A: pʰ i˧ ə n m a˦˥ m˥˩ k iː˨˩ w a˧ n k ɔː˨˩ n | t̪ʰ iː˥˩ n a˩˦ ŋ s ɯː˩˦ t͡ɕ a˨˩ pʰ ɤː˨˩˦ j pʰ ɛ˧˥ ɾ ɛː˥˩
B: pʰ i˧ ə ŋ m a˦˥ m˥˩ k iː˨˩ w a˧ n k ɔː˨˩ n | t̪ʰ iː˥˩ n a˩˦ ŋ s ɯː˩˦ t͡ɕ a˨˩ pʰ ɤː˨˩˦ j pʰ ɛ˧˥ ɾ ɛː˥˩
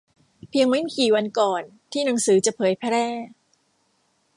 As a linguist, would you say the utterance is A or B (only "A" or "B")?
B